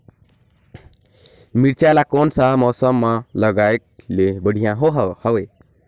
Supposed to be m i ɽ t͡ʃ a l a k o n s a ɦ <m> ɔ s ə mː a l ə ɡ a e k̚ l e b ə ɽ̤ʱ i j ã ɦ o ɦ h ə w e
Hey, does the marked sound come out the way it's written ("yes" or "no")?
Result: yes